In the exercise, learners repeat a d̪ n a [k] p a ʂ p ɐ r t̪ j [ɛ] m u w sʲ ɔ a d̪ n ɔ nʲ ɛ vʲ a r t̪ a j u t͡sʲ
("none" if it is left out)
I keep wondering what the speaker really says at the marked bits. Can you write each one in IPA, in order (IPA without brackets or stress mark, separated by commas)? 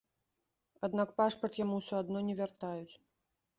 k, a